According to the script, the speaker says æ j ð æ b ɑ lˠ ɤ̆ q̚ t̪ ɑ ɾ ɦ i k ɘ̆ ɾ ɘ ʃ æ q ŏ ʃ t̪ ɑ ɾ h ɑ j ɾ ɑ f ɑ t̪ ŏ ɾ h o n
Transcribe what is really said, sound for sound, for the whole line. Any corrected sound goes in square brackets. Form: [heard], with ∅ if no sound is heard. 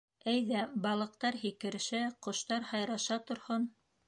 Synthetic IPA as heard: æ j ð æ b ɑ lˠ ɤ̆ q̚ t̪ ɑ ɾ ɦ i k ɘ̆ ɾ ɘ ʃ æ q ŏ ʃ t̪ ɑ ɾ h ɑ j ɾ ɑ [ʃ] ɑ t̪ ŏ ɾ h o n